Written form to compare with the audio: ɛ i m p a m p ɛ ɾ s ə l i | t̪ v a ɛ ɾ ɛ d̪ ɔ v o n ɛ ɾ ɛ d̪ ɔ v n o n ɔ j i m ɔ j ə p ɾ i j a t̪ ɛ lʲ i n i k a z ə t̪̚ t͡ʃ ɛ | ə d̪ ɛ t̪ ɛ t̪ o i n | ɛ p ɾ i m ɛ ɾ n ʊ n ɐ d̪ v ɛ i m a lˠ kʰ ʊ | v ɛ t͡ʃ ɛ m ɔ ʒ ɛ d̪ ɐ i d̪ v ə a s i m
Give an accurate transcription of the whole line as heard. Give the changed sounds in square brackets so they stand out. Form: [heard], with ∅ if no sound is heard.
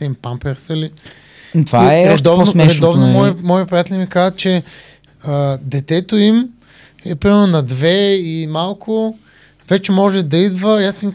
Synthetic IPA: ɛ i m p a m p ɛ ɾ s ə l i | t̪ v a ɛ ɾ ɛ d̪ ɔ v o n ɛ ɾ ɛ d̪ ɔ v n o [m] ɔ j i m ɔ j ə p ɾ i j a t̪ ɛ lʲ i [m] i k a z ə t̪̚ t͡ʃ ɛ | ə d̪ ɛ t̪ ɛ t̪ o i [m] | ɛ p ɾ i m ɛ ɾ n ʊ n ɐ d̪ v ɛ i m a lˠ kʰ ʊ | v ɛ t͡ʃ ɛ m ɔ ʒ ɛ d̪ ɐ i d̪ v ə a s i m